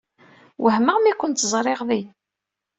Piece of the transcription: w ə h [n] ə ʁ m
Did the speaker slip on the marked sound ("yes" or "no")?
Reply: yes